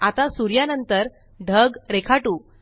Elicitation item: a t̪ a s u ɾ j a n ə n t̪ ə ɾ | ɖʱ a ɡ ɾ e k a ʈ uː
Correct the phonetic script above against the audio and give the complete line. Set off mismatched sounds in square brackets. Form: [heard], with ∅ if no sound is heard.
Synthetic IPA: a t̪ a s u ɾ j a n ə n t̪ ə ɾ | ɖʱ [ə] ɡ ɾ e [kʰ] a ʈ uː